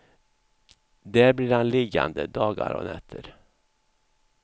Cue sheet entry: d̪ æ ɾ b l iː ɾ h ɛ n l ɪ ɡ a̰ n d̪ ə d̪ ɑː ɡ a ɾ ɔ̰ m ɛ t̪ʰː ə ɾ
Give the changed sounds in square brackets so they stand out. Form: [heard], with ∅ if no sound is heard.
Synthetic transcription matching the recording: d̪ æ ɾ b l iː ɾ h [a] n l ɪ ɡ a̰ n d̪ ə d̪ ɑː ɡ a ɾ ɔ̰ [n] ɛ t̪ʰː ə ɾ